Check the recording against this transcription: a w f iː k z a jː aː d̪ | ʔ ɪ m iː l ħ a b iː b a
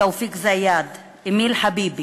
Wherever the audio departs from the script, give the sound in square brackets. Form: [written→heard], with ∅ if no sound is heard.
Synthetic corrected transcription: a w f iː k z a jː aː d̪ | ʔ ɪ m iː l ħ a b iː b [a→i]